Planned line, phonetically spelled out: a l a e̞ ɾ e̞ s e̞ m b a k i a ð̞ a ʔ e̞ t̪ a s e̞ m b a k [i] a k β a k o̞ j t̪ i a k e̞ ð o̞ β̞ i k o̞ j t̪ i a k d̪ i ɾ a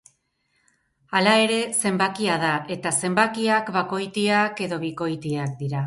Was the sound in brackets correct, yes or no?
yes